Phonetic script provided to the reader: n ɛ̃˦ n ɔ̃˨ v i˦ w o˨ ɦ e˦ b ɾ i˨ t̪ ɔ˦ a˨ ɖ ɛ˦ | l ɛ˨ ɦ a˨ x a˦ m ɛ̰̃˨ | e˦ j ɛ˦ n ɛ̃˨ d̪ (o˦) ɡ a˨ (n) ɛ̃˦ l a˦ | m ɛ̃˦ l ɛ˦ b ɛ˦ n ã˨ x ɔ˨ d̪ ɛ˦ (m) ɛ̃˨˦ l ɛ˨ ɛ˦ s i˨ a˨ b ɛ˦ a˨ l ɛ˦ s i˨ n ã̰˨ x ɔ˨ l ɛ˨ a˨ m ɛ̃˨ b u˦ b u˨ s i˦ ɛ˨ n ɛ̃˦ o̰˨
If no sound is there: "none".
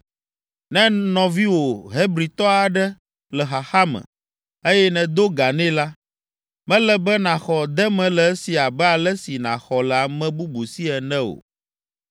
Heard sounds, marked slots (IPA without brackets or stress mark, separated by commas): o˦, n, m